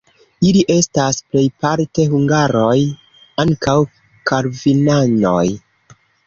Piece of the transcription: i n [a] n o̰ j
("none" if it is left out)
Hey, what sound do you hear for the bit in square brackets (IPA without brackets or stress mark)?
a